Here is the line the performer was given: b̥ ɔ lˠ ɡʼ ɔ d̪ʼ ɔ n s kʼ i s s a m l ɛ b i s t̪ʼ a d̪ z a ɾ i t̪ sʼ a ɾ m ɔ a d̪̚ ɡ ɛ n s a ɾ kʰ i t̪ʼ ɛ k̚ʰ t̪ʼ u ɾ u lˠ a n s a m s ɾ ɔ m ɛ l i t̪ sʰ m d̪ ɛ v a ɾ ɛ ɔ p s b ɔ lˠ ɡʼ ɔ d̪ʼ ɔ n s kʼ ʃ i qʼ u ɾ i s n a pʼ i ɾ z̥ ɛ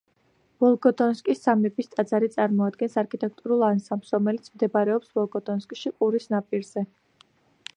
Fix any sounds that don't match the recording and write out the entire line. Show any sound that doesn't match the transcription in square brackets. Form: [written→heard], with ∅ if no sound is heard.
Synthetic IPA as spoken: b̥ ɔ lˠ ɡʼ ɔ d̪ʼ ɔ n s kʼ i s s a m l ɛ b i s t̪ʼ a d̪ z a ɾ i t̪ sʼ a ɾ m ɔ a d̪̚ ɡ ɛ n s a ɾ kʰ i t̪ʼ ɛ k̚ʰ t̪ʼ u ɾ u lˠ a n s a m s ɾ ɔ m ɛ l i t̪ sʰ m d̪ ɛ [v→b] a ɾ ɛ ɔ p s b ɔ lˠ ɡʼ ɔ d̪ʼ ɔ n s kʼ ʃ i qʼ u ɾ i s n a pʼ i ɾ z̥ ɛ